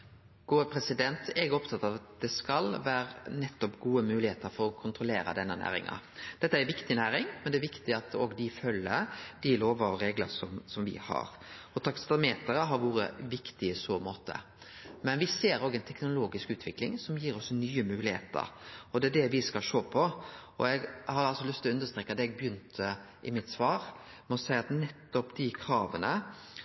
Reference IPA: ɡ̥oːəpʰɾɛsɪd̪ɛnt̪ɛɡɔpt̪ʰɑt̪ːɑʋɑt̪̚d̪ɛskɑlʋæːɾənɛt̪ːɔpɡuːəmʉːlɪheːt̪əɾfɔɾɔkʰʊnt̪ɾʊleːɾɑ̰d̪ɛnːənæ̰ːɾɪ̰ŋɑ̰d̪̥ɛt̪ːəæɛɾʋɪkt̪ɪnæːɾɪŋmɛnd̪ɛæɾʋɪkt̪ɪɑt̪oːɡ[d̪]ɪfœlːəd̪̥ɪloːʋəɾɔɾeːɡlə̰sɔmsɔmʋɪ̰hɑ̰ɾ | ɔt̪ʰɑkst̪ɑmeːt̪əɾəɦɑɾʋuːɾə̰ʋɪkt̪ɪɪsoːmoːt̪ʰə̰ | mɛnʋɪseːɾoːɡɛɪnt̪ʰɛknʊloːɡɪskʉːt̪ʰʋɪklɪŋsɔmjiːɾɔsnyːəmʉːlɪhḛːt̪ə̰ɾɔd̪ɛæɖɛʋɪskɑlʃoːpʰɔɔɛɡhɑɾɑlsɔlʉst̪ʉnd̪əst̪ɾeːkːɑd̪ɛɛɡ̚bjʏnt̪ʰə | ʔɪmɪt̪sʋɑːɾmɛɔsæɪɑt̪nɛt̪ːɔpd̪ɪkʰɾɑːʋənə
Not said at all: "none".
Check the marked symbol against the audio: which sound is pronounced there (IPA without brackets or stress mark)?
d̪